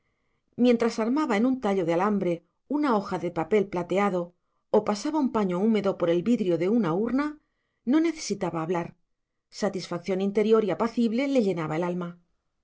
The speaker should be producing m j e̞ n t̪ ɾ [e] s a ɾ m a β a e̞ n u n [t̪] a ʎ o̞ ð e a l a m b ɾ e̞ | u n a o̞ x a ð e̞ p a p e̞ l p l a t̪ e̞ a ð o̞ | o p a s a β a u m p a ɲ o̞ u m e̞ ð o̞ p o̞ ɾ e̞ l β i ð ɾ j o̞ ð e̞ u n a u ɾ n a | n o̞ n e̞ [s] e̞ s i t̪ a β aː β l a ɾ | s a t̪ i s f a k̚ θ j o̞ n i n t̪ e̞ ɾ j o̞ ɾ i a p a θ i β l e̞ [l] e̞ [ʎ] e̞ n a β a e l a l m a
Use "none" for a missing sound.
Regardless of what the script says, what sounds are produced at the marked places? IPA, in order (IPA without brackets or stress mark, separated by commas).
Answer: a, t̪, θ, l, ʎ